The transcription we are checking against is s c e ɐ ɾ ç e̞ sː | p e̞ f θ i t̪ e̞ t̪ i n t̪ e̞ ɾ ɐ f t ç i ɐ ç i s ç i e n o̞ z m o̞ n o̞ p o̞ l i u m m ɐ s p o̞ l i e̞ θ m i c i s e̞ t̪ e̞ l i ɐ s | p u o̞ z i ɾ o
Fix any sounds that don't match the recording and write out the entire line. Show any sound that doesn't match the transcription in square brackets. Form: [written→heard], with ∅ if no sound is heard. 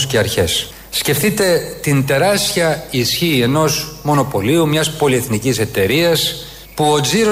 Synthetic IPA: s c e ɐ ɾ ç e̞ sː | [p→c] e̞ f θ i t̪ e̞ t̪ i n t̪ e̞ ɾ ɐ [f→s] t ç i ɐ [ç→∅] i s ç i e n o̞ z m o̞ n o̞ p o̞ l i u m [m→ɲ] ɐ s p o̞ l i e̞ θ [m→n] i c i s e̞ t̪ e̞ [l→ɾ] i ɐ s | p u o̞ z i ɾ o